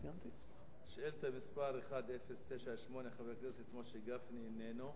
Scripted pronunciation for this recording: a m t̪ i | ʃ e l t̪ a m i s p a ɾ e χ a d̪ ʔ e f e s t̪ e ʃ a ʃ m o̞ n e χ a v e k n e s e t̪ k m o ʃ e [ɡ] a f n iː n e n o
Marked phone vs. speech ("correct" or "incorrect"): correct